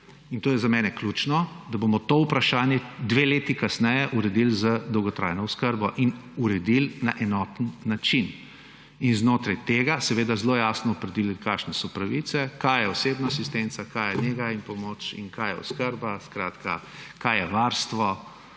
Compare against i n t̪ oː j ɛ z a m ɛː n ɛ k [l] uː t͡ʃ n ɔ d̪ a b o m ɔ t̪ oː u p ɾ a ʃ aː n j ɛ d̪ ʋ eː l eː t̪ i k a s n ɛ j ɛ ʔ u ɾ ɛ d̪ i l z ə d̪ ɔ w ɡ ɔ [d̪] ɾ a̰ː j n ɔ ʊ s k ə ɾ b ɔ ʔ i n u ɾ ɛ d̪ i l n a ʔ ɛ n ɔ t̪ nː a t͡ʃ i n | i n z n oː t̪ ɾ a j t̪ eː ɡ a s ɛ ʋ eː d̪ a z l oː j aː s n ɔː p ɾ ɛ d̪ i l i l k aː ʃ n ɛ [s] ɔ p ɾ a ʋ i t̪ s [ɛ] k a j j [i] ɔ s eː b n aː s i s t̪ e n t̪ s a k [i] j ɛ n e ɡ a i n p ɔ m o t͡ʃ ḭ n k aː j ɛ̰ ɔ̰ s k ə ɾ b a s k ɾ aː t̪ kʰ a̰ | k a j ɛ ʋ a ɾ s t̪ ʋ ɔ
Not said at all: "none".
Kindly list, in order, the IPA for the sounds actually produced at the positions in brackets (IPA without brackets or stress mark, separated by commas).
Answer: l, t̪, s, ɛ, ɛ, a